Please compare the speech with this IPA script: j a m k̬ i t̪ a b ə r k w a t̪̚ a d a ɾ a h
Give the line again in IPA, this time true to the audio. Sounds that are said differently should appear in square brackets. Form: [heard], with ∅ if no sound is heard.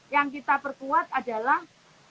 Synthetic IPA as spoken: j a [ŋ] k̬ i t̪ a [p] ə r k [u] a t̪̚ a d a [l] a h